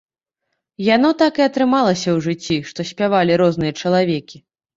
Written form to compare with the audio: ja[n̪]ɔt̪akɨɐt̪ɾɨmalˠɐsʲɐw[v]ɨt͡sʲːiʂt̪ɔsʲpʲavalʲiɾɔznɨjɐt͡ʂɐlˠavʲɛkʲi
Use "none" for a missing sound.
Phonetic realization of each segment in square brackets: n̪, ʐ

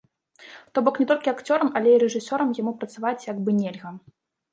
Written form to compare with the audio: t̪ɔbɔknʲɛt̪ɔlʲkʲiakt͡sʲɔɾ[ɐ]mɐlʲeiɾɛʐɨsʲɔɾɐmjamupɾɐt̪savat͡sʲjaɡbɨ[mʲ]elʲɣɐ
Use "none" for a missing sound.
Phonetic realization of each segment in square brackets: ɐ, nʲ

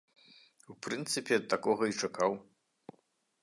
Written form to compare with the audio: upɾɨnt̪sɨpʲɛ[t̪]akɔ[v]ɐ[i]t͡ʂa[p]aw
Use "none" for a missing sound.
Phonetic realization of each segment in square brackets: t̪, ɣ, i, k

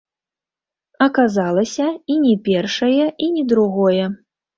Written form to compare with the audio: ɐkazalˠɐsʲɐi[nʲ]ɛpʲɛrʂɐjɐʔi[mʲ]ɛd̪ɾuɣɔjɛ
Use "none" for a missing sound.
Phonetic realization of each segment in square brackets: nʲ, nʲ

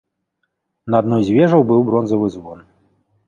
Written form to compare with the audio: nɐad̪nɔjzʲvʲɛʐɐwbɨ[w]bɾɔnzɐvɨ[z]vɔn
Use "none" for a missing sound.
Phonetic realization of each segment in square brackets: w, z

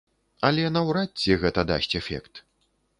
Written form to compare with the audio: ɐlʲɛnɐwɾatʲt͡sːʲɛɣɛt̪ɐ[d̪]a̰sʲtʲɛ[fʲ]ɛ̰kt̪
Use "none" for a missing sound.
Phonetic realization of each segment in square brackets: d̪, fʲ

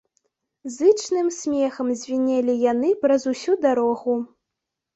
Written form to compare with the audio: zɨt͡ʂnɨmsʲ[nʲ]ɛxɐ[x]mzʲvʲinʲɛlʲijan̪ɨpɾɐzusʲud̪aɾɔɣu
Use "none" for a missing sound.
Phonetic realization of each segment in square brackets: mʲ, none

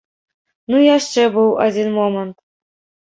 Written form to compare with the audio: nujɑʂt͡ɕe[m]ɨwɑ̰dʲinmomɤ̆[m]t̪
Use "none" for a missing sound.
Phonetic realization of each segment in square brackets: b, n

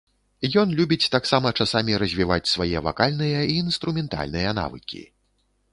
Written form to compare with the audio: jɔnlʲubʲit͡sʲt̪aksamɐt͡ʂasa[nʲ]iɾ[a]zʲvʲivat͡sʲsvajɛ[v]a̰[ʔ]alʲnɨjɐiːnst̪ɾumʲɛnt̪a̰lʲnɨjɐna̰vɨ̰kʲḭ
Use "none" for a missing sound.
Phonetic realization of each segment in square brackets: mʲ, ɐ, v, k

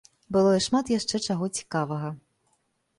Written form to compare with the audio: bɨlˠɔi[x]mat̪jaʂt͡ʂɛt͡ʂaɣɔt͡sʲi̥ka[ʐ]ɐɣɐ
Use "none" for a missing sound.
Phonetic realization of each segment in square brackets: ʂ, v

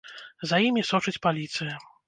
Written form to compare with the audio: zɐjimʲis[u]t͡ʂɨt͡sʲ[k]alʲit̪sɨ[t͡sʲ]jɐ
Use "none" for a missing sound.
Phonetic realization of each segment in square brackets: ɔ, p, none

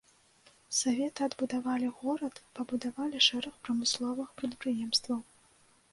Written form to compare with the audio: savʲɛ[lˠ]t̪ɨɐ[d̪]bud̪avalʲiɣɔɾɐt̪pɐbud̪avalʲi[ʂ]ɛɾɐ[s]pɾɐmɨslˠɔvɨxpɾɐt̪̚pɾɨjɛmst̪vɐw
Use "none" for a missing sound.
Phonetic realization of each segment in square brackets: none, d̪, ʂ, x

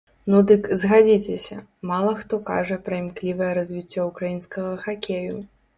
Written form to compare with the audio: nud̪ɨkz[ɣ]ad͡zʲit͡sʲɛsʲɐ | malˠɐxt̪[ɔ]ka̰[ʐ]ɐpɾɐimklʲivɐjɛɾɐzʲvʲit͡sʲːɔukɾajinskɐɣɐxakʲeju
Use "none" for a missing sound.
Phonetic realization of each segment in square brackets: ɣ, ɔ, ʐ

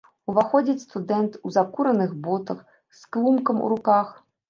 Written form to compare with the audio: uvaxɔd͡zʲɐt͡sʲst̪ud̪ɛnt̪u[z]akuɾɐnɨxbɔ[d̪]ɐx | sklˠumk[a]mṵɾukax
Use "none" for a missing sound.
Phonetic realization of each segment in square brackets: z, t̪, ɐ

